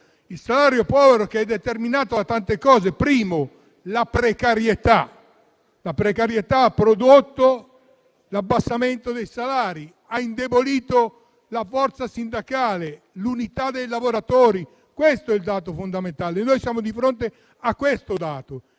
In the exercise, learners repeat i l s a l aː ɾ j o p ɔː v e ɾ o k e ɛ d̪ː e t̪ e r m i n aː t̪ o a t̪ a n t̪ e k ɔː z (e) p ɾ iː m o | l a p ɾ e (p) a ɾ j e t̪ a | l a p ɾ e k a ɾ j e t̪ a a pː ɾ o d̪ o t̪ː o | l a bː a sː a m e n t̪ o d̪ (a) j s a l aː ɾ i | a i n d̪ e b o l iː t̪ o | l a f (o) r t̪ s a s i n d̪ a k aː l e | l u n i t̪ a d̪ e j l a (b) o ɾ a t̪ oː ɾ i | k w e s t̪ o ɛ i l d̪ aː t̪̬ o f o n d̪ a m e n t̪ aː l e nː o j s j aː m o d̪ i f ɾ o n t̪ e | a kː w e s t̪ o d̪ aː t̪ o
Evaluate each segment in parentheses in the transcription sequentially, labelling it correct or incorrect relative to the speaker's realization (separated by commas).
correct, incorrect, incorrect, incorrect, incorrect